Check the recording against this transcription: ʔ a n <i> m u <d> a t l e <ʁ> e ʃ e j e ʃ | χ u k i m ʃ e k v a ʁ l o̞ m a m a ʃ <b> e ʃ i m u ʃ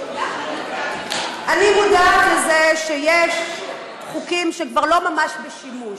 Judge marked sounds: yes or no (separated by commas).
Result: yes, yes, no, yes